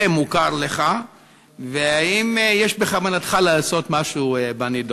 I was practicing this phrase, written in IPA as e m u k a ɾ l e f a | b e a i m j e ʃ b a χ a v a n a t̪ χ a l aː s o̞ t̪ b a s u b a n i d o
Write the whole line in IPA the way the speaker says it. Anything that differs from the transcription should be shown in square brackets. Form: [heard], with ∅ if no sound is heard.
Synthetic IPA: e m u k a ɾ l e [χ] a | [v] e a i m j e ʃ b [e] χ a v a n a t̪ χ a l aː s o̞ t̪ [m] a [ʃ] u b a n i d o